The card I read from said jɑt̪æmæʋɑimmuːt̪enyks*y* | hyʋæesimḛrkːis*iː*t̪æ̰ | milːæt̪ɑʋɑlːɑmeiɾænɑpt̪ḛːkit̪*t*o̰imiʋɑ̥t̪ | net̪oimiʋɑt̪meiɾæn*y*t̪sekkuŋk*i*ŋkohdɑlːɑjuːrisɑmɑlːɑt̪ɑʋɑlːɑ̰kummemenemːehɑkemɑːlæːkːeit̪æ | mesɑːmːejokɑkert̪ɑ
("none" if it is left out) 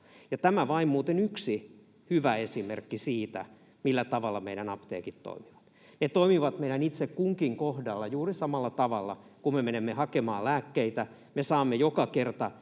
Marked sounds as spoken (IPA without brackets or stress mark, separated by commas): i, iː, t, i, i